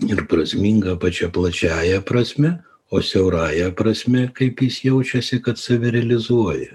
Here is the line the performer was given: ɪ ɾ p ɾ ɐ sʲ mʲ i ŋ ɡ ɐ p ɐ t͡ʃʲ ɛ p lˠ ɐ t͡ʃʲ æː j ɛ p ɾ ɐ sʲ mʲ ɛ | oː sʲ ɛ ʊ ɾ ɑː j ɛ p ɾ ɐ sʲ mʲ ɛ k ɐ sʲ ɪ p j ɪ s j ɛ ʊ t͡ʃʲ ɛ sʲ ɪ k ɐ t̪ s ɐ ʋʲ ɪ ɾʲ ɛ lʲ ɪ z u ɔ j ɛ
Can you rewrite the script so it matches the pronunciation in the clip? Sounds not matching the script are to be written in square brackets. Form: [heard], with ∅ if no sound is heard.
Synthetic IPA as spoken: ɪ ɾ p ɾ ɐ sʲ mʲ i ŋ ɡ ɐ p ɐ t͡ʃʲ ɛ p lˠ ɐ t͡ʃʲ æː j ɛ p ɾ ɐ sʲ mʲ ɛ | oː sʲ ɛ ʊ ɾ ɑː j ɛ p ɾ ɐ sʲ mʲ ɛ k ɐ [∅] ɪ p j ɪ s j ɛ ʊ t͡ʃʲ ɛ sʲ ɪ k ɐ t̪ s ɐ ʋʲ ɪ ɾʲ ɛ lʲ ɪ z u ɔ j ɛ